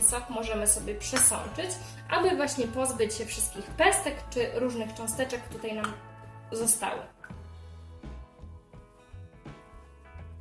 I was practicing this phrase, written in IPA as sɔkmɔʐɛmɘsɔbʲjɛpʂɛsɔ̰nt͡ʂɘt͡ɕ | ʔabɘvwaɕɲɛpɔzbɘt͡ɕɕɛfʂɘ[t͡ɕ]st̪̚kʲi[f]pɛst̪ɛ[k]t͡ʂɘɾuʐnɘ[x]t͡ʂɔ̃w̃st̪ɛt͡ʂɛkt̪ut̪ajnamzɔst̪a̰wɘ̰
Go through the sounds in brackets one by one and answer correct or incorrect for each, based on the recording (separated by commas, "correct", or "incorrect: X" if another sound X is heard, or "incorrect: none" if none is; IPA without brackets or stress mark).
incorrect: none, incorrect: x, correct, correct